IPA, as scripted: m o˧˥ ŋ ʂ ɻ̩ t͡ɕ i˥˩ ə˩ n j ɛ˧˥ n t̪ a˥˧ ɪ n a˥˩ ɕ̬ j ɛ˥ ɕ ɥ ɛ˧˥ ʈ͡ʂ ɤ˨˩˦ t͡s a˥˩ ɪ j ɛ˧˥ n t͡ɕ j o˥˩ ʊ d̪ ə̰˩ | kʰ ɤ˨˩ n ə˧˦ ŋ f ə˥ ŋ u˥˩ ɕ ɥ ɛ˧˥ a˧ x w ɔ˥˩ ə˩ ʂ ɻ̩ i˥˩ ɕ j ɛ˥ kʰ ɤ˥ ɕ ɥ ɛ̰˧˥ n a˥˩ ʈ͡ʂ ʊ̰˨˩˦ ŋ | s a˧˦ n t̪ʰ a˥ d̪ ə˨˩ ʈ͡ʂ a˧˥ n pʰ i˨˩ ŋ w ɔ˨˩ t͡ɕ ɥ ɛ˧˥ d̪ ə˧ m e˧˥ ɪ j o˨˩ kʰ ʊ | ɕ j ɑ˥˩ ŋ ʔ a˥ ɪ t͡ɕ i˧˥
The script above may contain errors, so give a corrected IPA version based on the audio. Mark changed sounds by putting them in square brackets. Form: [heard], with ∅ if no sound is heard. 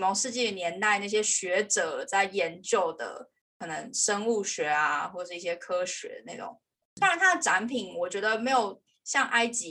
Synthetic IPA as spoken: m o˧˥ ŋ ʂ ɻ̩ t͡ɕ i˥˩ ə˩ n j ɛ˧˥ n t̪ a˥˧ ɪ n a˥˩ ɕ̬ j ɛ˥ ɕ ɥ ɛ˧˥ ʈ͡ʂ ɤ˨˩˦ t͡s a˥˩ ɪ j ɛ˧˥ n t͡ɕ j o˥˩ ʊ d̪ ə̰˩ | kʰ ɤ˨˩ n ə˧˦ ŋ [ʂ] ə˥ ŋ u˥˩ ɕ ɥ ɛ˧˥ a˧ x w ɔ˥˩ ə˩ ʂ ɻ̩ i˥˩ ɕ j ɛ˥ kʰ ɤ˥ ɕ ɥ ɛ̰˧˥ n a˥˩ ʈ͡ʂ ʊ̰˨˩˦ ŋ | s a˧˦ n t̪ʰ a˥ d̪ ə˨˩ ʈ͡ʂ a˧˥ n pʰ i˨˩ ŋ w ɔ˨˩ t͡ɕ ɥ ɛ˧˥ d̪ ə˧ m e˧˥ ɪ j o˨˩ [∅] ʊ | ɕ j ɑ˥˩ ŋ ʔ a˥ ɪ t͡ɕ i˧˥